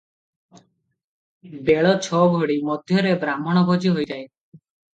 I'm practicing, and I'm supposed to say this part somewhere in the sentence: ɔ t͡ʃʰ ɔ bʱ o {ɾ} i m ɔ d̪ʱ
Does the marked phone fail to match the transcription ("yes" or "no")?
yes